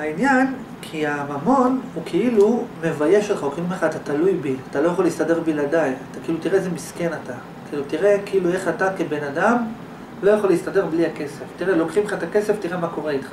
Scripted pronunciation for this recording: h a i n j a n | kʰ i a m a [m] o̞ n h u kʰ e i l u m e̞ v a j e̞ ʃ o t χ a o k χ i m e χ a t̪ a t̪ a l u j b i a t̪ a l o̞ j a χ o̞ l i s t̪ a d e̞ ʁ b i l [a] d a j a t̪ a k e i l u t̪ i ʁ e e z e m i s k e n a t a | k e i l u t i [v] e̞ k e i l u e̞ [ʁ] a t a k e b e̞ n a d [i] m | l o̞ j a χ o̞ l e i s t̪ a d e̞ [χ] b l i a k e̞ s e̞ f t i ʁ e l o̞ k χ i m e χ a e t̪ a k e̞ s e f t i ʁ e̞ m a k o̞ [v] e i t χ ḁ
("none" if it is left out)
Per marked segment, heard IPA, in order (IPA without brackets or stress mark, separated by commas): m, a, ʁ, χ, a, ʁ, ʁ